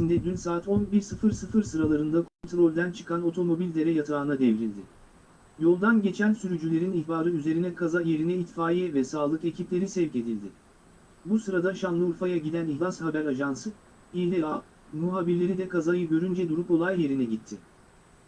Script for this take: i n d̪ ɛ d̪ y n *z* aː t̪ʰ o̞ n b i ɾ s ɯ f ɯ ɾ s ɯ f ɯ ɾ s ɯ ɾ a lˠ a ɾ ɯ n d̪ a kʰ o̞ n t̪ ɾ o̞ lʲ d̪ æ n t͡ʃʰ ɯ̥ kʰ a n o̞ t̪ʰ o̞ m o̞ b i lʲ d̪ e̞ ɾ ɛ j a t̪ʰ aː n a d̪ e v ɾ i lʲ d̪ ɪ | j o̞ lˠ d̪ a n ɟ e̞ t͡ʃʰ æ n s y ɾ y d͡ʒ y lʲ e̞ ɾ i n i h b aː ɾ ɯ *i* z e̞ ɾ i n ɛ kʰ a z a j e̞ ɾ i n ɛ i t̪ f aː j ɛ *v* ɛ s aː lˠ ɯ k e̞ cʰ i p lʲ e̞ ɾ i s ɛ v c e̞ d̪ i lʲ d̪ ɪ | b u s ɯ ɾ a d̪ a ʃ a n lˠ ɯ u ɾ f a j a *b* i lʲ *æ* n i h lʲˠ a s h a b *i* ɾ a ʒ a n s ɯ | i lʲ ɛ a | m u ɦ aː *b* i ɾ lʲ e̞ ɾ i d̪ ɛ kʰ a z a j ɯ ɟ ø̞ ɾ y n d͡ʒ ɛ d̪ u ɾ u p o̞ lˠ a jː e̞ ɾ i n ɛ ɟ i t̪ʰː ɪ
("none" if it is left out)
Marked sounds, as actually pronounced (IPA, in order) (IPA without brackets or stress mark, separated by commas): s, y, v, ɟ, æ, æ, b